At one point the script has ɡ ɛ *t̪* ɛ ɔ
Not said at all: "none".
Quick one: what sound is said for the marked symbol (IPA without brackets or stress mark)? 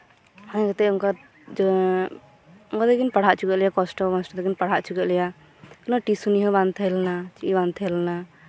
t̪